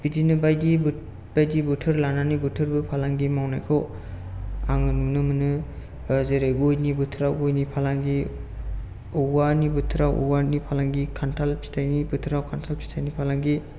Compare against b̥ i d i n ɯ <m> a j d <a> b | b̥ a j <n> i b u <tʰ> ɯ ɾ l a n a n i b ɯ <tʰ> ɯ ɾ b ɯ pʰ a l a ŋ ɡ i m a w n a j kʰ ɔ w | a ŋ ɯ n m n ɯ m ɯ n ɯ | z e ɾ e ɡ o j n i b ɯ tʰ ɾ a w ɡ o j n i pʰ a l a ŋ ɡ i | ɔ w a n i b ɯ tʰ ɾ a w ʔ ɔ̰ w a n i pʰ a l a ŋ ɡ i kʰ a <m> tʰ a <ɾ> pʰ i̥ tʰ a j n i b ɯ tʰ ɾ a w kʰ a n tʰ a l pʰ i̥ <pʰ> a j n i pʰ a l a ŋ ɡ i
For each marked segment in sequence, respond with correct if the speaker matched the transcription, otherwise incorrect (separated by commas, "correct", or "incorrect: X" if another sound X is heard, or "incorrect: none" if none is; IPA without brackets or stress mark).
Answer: incorrect: b, incorrect: i, incorrect: d, correct, correct, incorrect: n, incorrect: l, incorrect: tʰ